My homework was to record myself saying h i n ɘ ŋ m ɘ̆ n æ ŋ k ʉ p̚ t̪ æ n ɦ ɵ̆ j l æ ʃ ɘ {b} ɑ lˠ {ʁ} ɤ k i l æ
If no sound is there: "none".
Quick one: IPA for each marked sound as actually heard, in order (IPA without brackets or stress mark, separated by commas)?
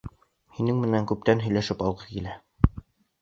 p, ʁ